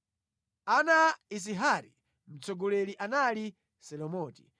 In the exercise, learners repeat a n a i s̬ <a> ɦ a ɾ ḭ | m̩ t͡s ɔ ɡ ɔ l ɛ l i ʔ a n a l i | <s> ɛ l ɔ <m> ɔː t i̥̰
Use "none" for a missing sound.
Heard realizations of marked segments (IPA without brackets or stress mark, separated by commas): i, s, m